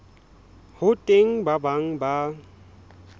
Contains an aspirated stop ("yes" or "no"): no